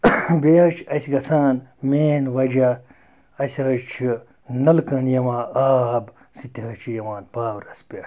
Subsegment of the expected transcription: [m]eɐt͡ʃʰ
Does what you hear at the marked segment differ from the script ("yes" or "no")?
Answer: yes